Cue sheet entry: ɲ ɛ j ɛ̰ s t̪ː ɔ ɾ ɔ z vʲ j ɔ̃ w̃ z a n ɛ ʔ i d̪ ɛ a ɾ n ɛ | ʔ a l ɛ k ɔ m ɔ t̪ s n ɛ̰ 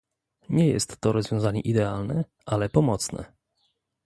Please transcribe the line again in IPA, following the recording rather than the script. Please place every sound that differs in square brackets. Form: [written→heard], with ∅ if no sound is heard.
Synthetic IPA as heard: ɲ ɛ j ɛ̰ s t̪ː ɔ ɾ ɔ z vʲ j ɔ̃ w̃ z a [n→ɲ] ɛ ʔ i d̪ ɛ a [ɾ→l] n ɛ | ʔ a l ɛ [k→p] ɔ m ɔ t̪ s n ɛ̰